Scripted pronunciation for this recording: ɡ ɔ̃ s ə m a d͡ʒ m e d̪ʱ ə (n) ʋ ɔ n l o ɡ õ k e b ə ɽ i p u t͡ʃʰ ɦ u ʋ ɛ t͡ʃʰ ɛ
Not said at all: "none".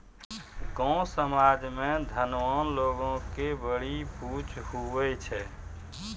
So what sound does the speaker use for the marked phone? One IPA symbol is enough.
n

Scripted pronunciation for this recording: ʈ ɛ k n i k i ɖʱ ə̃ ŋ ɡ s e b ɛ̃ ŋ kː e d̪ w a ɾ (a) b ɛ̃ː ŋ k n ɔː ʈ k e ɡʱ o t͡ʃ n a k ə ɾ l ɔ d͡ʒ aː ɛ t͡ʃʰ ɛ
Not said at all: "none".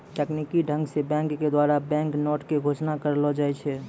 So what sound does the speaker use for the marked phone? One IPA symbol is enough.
a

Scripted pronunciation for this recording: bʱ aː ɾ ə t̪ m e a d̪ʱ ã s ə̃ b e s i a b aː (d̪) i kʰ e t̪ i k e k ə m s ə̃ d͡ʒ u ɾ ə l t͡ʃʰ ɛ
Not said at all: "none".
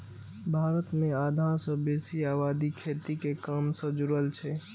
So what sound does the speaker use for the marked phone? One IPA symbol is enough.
d̪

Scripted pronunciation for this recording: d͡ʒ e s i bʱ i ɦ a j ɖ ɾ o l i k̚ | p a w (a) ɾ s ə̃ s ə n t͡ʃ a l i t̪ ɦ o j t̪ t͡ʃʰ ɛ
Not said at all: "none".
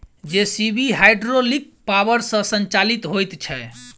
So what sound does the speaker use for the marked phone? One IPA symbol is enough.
ə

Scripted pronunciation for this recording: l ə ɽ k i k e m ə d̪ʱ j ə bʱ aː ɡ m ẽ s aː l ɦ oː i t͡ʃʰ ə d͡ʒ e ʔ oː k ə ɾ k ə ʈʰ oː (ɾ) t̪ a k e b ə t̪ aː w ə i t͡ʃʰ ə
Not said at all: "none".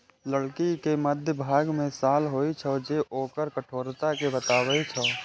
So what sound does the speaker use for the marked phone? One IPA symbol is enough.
ɾ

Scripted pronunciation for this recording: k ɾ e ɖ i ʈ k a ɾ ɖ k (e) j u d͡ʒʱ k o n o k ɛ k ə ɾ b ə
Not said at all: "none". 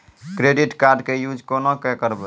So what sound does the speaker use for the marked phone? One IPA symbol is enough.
e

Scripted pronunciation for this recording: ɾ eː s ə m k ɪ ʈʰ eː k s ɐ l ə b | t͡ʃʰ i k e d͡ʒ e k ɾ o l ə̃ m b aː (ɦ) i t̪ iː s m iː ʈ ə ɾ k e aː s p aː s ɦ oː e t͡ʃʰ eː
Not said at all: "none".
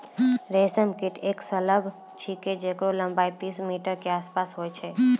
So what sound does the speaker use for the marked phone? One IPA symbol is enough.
none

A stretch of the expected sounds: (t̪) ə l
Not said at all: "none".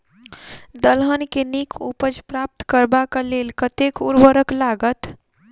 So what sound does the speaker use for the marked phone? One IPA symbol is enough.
d̪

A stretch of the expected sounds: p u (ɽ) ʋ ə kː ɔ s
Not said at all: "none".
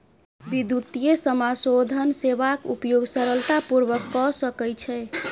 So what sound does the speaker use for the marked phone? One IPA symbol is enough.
ɾ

